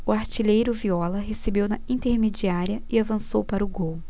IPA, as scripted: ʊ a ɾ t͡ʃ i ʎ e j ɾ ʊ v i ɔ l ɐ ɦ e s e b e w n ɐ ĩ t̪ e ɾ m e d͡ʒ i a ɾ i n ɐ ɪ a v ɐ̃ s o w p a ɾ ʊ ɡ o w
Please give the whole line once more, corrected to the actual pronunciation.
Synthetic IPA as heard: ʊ a ɾ t͡ʃ i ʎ e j ɾ ʊ v i ɔ l ɐ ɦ e s e b e w n ɐ ĩ t̪ e ɾ m e d͡ʒ i a ɾ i ɐ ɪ a v ɐ̃ s o w p a ɾ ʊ ɡ o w